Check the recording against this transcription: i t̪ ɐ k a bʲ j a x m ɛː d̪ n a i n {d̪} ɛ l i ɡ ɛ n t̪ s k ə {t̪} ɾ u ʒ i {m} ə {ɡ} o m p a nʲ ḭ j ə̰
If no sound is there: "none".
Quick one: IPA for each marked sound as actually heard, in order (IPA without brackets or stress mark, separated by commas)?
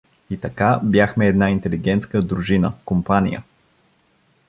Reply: t̪, d̪, n, k